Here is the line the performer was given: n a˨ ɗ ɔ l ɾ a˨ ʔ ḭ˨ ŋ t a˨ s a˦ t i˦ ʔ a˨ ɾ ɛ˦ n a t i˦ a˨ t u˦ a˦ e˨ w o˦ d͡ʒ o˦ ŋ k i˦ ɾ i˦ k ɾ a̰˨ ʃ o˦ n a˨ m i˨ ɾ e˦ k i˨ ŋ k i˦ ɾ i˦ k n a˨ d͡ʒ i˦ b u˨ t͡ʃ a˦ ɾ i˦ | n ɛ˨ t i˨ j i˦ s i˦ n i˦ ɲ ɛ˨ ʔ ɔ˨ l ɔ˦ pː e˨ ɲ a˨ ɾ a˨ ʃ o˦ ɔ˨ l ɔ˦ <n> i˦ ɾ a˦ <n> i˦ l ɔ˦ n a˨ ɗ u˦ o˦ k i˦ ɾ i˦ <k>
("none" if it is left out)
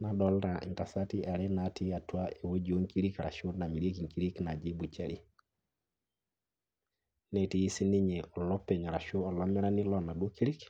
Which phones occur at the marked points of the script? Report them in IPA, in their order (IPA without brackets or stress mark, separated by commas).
m, n, k